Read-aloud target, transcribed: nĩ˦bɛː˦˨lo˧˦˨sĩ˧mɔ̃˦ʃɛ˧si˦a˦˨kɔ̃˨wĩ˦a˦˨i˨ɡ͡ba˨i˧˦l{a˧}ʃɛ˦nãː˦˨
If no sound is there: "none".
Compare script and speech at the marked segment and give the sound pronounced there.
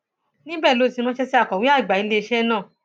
e˧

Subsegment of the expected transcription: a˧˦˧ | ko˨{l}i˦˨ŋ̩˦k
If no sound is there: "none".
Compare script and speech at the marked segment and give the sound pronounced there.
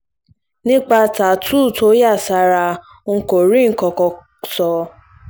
ɾ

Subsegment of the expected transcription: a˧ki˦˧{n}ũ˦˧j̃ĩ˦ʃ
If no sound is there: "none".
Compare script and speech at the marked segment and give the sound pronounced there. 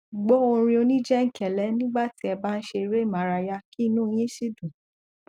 n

